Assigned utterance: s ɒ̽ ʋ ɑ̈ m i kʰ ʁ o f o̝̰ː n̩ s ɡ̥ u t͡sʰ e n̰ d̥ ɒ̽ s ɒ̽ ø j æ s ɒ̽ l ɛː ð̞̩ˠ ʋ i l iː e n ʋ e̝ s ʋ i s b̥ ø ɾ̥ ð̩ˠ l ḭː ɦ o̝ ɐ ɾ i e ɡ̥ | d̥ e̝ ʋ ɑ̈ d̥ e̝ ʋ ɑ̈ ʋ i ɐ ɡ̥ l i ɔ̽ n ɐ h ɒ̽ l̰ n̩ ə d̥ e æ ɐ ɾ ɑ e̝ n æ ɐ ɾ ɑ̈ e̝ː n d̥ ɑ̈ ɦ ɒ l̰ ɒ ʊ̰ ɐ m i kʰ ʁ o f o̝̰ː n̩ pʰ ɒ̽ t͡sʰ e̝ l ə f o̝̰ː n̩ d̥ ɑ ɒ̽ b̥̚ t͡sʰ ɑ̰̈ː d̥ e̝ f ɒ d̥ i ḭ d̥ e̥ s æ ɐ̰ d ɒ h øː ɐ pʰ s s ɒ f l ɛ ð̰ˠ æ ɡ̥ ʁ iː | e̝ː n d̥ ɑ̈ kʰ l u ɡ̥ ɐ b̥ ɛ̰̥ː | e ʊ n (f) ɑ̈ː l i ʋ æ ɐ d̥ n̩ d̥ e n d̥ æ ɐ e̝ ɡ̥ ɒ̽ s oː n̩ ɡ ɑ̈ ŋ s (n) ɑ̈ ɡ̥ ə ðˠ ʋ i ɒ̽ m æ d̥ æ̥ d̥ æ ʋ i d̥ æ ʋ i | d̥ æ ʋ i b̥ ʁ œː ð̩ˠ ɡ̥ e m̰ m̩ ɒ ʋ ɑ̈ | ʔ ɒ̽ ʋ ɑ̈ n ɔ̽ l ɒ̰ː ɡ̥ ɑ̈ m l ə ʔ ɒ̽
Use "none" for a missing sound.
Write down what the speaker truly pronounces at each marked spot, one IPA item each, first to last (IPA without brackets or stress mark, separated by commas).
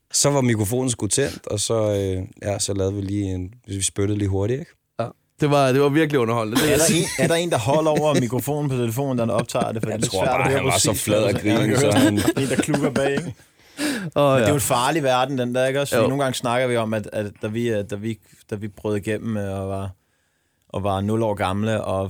f, n